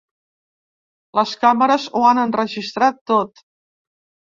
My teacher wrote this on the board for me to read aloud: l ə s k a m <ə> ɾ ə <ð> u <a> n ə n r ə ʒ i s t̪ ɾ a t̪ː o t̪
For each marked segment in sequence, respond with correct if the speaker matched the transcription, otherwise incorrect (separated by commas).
correct, incorrect, correct